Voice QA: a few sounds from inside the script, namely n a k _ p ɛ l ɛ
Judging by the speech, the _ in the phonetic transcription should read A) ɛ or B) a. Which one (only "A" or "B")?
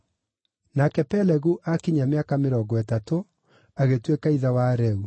A